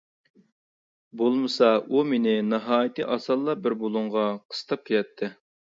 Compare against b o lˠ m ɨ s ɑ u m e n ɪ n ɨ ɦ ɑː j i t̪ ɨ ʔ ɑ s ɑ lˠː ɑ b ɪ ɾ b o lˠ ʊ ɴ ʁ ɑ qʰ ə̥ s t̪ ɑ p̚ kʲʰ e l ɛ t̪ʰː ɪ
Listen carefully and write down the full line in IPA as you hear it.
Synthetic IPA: b o lˠ m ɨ s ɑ u m e n ɪ n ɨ ɦ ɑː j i t̪ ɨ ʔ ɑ s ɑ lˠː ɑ b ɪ ɾ b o lˠ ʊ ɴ ʁ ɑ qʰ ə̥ s t̪ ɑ p̚ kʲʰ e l ɛ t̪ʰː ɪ